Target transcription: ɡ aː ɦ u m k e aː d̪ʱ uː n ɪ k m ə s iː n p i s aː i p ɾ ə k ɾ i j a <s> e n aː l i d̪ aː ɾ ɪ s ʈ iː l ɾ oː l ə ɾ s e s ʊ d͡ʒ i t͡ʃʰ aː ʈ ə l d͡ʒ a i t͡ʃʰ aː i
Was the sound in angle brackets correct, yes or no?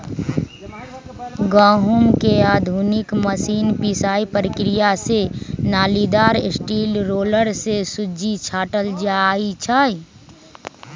yes